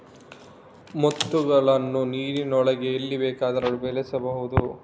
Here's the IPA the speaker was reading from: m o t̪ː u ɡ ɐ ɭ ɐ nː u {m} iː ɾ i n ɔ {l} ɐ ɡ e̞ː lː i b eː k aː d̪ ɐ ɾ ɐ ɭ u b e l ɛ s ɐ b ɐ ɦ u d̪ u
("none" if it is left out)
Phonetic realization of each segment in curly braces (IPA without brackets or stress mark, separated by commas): n, ɭ